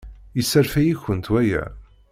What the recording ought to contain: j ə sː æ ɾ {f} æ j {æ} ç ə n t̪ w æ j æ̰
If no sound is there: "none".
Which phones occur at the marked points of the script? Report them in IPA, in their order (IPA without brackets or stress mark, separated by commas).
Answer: f, i